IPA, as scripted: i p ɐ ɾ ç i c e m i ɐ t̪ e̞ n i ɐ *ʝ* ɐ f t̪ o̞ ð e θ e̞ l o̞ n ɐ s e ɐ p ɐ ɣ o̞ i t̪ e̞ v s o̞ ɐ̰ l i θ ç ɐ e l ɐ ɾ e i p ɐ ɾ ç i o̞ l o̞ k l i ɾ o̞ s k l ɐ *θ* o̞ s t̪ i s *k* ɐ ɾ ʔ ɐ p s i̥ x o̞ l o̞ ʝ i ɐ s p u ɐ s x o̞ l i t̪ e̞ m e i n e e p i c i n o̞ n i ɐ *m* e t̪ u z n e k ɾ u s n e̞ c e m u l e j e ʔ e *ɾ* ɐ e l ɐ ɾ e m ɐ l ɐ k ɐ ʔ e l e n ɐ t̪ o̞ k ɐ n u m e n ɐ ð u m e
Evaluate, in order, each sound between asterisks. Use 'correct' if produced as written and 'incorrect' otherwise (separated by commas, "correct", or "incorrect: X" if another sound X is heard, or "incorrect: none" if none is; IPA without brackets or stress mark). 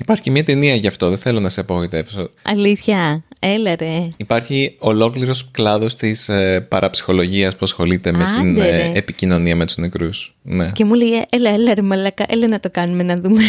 correct, incorrect: ð, incorrect: p, correct, incorrect: l